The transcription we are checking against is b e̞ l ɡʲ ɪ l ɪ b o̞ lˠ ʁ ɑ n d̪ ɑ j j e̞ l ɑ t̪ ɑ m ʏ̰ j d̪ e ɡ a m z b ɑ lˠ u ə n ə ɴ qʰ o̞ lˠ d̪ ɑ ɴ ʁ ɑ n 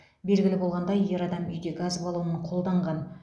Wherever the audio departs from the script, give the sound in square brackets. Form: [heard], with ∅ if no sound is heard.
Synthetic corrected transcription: b e̞ l ɡʲ ɪ l ɪ b o̞ lˠ ʁ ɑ n d̪ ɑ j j e̞ [ɾ] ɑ [d̪] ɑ m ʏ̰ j d̪ e ɡ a [∅] z b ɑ lˠ u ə n ə ɴ qʰ o̞ lˠ d̪ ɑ ɴ ʁ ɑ n